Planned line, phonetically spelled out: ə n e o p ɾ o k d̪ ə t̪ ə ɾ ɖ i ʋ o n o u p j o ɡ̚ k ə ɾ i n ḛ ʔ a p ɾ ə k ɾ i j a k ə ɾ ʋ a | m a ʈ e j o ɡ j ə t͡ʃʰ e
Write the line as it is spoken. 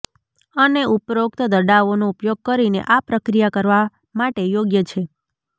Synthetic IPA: ə n e u p ɾ o k t̪ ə d̪ ə ɾ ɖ a ʋ o n o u p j o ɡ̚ k ə ɾ i n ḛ ʔ a p ɾ ə k ɾ i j a k ə ɾ ʋ a | m a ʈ e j o ɡ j ə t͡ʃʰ e